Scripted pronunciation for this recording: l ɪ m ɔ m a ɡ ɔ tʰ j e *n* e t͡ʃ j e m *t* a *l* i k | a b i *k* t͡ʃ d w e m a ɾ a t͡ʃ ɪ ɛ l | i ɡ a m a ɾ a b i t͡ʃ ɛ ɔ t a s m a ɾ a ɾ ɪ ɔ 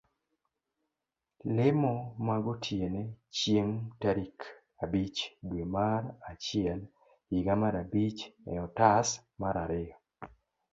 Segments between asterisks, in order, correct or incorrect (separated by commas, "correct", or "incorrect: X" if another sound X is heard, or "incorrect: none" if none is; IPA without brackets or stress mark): correct, correct, incorrect: ɾ, incorrect: none